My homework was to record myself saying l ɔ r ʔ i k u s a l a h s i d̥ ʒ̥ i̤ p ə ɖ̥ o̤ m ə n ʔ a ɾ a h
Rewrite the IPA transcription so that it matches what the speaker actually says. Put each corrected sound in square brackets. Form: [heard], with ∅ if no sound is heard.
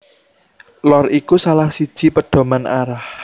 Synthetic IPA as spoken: l ɔ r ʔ i k u s a l a h s i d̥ ʒ̥ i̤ p ə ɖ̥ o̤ m [a] n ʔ a ɾ a h